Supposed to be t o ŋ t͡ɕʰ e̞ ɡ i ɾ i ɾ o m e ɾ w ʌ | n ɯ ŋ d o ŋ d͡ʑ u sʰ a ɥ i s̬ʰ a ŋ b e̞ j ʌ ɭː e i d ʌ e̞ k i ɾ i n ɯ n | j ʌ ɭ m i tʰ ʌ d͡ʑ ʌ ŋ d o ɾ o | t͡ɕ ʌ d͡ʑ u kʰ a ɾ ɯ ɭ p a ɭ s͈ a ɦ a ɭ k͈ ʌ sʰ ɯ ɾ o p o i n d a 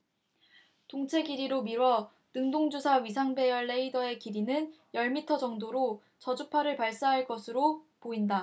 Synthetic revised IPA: t o ŋ t͡ɕʰ e̞ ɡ i ɾ i ɾ o m i ɾ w ʌ | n ɯ ŋ d o ŋ d͡ʑ u sʰ a ɥ i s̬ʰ a ŋ b e̞ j ʌ ɭː e i d ʌ e̞ k i ɾ i n ɯ n | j ʌ ɭ m i tʰ ʌ d͡ʑ ʌ ŋ d o ɾ o | t͡ɕ ʌ d͡ʑ u pʰ a ɾ ɯ ɭ p a ɭ s͈ a ɦ a ɭ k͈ ʌ sʰ ɯ ɾ o p o i n d a